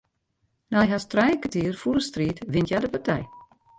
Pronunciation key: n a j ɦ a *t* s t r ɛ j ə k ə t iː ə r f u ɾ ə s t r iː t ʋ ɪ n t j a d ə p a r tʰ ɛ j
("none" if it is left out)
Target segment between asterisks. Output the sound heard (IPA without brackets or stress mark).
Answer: none